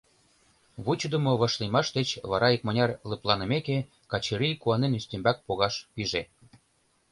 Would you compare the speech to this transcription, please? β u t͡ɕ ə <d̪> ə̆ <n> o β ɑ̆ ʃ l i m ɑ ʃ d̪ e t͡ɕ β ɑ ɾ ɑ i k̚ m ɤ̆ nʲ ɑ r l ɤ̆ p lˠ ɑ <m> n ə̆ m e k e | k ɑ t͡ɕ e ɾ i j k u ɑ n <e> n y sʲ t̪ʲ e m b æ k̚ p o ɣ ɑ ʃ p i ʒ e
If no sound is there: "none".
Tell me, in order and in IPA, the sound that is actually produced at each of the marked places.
d̪, m, none, e

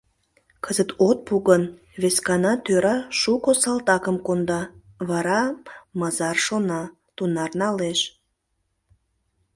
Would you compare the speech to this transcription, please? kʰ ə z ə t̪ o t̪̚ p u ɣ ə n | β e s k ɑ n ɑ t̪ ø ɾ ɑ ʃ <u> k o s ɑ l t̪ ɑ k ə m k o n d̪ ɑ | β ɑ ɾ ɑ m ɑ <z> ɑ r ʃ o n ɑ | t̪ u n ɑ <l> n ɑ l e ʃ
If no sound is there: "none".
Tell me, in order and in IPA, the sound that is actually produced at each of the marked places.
u, z, r

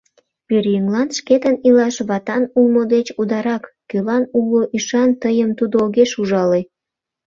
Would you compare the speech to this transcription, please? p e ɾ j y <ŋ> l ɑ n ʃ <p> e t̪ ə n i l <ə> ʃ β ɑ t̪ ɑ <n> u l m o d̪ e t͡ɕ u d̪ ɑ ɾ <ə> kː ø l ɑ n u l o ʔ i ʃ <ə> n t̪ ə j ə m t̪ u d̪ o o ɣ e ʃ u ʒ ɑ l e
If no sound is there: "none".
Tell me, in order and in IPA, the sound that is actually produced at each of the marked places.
ŋ, k, ɑ, n, ɑ, ɑ

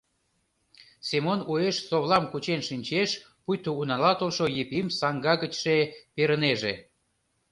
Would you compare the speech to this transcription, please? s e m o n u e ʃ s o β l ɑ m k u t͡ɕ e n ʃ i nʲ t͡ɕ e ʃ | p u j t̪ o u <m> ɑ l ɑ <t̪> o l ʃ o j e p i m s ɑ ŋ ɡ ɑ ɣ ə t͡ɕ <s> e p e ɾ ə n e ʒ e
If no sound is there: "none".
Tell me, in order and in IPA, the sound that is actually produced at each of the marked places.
n, t̪, ʃ

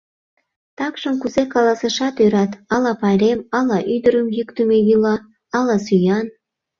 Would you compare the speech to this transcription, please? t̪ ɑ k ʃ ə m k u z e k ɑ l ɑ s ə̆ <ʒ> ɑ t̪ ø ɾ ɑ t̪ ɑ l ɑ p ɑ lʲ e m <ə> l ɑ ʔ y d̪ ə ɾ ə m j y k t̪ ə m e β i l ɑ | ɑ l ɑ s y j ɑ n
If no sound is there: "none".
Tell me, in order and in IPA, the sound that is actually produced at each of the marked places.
ʃ, ɑ

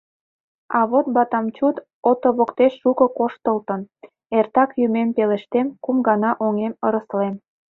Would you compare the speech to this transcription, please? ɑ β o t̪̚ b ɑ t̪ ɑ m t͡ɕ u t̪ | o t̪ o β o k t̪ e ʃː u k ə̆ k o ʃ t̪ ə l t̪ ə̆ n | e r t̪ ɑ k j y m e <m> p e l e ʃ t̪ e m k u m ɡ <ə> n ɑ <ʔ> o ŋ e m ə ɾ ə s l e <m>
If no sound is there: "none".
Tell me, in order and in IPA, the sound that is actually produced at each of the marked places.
m, ɑ, ʔ, m

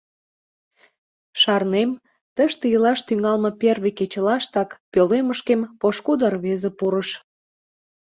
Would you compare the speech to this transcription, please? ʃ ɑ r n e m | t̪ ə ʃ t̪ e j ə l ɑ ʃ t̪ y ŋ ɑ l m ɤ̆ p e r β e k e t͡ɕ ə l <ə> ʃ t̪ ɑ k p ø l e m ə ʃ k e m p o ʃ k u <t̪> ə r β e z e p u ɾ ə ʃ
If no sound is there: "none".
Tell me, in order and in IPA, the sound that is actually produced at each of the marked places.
ɑ, d̪

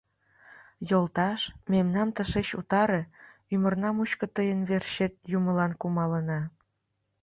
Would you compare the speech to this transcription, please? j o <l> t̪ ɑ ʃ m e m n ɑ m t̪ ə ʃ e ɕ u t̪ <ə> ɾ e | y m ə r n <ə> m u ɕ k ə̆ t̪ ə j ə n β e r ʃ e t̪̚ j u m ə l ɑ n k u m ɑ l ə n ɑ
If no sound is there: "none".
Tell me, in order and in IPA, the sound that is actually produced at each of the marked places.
l, ɑ, ɑ

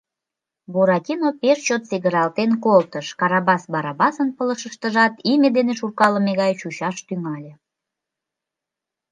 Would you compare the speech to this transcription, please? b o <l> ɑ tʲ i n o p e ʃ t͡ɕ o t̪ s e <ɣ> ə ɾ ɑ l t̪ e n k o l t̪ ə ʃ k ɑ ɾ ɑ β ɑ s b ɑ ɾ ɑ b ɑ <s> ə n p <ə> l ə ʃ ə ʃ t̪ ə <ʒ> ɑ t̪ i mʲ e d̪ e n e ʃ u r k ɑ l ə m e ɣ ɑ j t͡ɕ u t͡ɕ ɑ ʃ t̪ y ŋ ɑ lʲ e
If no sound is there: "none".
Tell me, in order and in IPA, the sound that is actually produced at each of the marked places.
ɾ, ɣ, s, ə, ʒ

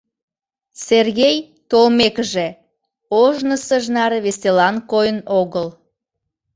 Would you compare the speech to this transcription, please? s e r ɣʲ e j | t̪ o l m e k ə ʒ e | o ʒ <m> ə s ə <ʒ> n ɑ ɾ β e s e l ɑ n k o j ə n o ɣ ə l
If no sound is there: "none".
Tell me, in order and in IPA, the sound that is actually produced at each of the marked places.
n, ʒ

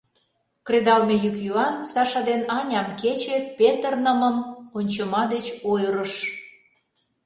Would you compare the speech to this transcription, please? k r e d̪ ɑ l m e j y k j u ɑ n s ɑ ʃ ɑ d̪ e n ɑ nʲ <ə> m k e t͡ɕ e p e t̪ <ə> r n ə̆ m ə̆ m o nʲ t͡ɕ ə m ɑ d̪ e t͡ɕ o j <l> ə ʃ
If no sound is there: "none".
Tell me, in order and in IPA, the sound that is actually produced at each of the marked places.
ɑ, ə, ɾ

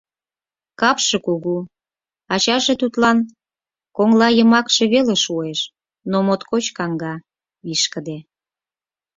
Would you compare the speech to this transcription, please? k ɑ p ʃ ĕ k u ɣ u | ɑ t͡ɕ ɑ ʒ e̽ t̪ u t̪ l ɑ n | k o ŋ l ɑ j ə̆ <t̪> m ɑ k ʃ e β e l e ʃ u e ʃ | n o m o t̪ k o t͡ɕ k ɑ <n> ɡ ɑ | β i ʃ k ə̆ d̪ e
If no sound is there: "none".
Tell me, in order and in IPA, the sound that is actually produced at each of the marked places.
none, ŋ

